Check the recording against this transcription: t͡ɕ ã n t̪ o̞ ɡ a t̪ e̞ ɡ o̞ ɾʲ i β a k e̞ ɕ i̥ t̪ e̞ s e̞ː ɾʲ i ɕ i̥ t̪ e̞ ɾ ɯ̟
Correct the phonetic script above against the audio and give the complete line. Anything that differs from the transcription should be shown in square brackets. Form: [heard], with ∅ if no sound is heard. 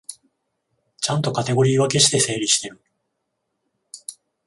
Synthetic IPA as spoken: t͡ɕ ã n t̪ o̞ [k] a t̪ e̞ ɡ o̞ ɾʲ [iː] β a k e̞ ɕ i̥ t̪ e̞ s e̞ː ɾʲ i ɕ i̥ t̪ e̞ ɾ ɯ̟